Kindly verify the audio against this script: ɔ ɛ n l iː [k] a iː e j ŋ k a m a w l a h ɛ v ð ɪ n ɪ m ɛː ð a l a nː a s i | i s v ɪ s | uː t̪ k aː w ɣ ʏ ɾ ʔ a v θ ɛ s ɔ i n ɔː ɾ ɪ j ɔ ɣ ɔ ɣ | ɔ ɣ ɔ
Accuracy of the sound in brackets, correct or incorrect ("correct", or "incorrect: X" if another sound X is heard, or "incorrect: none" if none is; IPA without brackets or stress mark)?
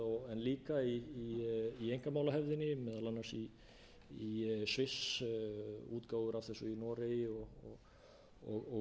correct